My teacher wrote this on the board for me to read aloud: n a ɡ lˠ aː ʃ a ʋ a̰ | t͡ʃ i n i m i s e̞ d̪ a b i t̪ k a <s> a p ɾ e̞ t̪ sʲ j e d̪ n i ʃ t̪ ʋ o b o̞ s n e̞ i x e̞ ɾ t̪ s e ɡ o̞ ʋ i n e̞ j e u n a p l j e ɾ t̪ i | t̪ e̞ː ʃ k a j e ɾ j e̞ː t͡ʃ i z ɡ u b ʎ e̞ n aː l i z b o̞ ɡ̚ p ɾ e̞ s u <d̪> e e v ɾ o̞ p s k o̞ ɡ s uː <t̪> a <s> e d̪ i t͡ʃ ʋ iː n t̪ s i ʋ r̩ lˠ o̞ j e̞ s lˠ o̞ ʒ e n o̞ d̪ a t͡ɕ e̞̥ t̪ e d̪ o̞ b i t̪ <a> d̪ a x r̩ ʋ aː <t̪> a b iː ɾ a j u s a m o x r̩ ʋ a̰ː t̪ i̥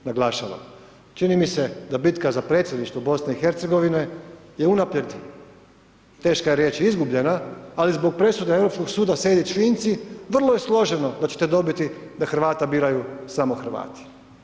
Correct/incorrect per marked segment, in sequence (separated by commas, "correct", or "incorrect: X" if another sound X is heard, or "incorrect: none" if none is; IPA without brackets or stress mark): incorrect: z, correct, incorrect: d̪, correct, incorrect: i, correct